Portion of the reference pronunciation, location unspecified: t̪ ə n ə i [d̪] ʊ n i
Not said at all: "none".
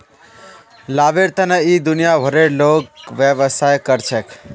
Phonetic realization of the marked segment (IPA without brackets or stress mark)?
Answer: d̪